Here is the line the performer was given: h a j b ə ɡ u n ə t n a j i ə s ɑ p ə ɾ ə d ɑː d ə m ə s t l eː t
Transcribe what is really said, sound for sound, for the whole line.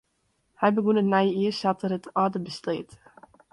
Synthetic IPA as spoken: h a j b ə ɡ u n ə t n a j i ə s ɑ t ə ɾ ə t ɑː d ə b ə s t l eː t